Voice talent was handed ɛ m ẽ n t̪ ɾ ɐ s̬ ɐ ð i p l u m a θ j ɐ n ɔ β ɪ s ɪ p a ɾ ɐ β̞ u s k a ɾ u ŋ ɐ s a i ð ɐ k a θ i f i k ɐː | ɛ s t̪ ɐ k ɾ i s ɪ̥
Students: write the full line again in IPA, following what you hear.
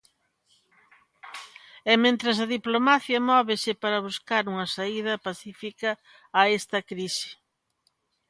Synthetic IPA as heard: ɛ m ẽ n t̪ ɾ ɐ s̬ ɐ ð i p l o m a θ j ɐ m ɔ β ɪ s ɪ p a ɾ ɐ β̞ u s k a ɾ u ŋ ɐ s a i ð ɐ p a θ i f i k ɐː | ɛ s t̪ ɐ k ɾ i s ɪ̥